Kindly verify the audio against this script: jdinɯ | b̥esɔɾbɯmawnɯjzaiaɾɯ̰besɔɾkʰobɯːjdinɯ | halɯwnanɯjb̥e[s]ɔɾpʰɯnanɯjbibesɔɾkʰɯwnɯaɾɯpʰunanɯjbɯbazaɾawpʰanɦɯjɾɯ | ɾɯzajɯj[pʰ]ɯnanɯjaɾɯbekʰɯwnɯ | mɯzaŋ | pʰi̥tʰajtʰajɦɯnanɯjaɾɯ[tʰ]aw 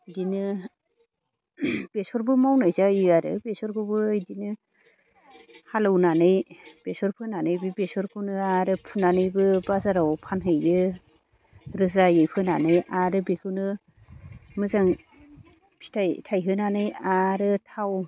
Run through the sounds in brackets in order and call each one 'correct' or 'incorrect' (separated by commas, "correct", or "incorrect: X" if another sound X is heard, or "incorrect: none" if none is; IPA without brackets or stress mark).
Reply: correct, correct, correct